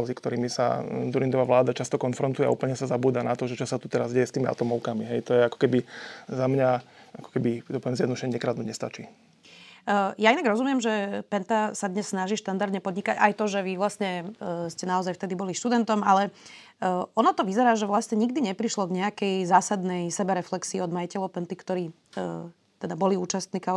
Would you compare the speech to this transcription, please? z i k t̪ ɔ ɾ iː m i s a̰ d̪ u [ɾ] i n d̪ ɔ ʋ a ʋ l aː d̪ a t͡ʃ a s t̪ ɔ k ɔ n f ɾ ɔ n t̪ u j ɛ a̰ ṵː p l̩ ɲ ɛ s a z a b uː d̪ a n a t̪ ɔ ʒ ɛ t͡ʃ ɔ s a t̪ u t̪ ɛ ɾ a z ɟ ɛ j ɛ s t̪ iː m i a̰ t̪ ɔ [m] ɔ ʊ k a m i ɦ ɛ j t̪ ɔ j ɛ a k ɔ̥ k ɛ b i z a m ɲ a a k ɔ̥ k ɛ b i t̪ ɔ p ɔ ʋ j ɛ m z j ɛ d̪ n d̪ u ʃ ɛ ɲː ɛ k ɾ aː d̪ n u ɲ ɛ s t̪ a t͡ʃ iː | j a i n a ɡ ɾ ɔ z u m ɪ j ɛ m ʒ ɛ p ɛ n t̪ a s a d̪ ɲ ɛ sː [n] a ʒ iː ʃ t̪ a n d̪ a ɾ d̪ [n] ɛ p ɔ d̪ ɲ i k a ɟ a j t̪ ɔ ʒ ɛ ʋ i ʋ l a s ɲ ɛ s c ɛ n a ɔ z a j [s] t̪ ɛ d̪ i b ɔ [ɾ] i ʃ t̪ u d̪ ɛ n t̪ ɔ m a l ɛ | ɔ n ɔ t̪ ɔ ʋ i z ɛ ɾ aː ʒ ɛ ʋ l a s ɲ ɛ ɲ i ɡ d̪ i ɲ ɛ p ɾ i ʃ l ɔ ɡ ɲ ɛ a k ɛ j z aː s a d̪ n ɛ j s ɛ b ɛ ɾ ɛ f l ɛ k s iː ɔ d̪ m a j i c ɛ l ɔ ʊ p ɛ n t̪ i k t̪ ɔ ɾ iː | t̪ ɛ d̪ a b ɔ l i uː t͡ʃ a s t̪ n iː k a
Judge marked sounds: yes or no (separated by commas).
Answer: yes, yes, yes, no, no, no